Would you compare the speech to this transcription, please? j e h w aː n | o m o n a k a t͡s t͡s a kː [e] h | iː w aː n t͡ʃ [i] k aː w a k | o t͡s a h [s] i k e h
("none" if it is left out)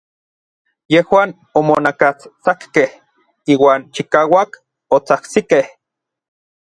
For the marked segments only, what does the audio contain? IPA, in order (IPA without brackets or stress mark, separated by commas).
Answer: e, i, s